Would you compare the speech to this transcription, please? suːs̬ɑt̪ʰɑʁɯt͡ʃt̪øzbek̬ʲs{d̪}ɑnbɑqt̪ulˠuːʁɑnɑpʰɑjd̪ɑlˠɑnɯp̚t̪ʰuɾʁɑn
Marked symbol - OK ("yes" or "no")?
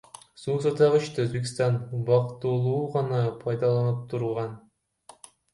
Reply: no